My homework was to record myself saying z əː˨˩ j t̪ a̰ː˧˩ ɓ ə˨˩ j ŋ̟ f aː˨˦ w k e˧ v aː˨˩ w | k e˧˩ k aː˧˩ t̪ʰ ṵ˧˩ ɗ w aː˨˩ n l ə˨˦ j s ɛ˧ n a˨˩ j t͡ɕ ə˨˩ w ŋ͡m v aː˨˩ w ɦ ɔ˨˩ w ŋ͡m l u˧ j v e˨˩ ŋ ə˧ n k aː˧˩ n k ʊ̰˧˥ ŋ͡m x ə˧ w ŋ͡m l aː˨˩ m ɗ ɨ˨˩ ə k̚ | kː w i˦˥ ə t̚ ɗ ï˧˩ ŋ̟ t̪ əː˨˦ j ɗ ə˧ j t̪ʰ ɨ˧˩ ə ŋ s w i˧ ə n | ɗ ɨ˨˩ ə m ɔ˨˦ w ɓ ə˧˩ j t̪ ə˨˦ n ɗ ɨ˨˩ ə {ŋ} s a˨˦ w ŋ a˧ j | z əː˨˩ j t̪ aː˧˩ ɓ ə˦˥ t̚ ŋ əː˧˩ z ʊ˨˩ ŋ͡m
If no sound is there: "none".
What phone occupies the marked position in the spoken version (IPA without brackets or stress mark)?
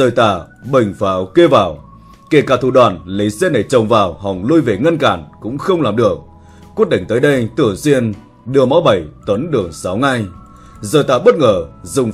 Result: ŋ